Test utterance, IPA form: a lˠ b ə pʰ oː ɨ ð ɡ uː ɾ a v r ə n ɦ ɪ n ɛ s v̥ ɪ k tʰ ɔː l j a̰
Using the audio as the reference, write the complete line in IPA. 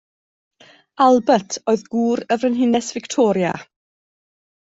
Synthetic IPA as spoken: a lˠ b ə tʰ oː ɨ ð ɡ uː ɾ ə v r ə n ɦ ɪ n ɛ s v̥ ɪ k tʰ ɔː ɾ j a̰

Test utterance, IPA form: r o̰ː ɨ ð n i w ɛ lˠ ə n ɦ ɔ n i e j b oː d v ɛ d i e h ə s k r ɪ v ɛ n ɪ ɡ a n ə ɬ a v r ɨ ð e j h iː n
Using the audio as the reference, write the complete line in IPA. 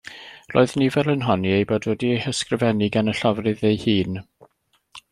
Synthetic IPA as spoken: r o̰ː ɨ ð n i v ɛ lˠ ə n ɦ ɔ n i e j b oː d w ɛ d i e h ə s k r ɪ v ɛ n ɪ ɡ a n ə ɬ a v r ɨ ð e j h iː n

